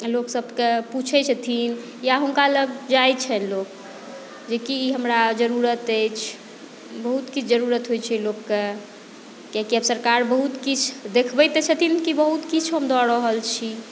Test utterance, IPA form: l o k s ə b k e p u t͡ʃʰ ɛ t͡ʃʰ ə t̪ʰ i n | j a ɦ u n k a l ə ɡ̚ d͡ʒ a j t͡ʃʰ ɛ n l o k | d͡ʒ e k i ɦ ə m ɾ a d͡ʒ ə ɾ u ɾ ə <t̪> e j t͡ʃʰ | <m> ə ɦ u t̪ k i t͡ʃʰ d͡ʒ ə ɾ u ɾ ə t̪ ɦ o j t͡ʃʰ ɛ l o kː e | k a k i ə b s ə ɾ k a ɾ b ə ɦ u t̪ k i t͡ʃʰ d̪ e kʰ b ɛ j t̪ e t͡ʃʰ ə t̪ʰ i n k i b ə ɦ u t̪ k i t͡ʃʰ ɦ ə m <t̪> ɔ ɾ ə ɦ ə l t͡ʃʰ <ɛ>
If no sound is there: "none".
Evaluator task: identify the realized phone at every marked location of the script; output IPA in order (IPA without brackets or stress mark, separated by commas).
t̪, b, d̪, i